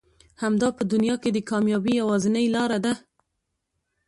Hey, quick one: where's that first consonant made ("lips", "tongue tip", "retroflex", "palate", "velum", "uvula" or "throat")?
throat